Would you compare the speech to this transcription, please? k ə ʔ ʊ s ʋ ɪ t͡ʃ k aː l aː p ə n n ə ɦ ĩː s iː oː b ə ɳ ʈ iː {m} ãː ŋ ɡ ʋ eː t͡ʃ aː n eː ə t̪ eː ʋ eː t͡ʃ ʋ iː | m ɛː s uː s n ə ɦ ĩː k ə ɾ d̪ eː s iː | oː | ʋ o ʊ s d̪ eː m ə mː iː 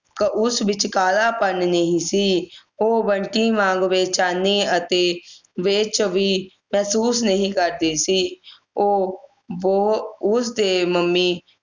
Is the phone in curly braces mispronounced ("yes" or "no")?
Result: no